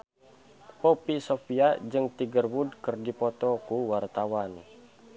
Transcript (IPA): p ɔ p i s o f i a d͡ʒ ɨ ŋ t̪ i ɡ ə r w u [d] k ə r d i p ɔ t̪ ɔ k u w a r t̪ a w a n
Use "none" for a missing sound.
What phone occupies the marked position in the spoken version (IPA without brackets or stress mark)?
d